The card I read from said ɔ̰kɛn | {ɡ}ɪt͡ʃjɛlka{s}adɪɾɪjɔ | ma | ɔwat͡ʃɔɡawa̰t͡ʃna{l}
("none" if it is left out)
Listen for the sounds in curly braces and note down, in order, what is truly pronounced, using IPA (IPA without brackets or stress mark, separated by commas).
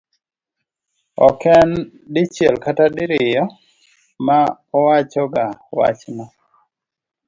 d, t, none